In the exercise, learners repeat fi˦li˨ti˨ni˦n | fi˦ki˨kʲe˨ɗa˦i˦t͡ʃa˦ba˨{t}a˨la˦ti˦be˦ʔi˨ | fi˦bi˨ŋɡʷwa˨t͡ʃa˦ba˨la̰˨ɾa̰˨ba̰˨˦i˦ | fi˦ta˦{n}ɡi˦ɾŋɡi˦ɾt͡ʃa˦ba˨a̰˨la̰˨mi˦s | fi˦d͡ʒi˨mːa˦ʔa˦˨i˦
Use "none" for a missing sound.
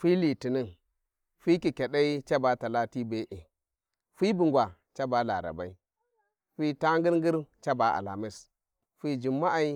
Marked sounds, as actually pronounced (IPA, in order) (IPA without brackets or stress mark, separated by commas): t, ŋ